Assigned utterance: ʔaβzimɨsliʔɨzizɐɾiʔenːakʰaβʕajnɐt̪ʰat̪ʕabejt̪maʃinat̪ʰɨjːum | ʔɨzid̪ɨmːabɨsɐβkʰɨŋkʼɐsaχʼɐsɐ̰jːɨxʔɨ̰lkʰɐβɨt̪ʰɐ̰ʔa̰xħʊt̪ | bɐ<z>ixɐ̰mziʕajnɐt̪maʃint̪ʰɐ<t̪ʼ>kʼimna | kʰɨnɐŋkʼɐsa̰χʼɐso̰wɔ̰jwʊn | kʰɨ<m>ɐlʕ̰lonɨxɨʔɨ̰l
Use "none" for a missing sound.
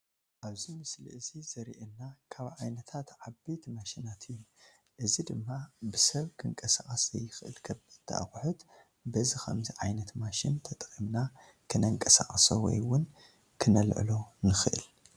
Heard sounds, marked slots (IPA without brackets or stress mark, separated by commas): z, t̪ʼ, n